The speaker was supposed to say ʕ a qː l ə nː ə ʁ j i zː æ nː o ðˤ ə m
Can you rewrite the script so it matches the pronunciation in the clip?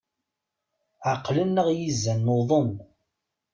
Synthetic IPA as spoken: ʕ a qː l ə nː ə ʁ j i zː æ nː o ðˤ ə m